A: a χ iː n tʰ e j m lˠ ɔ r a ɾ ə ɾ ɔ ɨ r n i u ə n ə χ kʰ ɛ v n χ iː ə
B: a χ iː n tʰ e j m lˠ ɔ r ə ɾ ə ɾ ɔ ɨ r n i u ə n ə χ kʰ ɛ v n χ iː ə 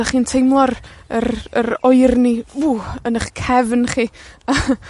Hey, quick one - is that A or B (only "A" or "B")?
B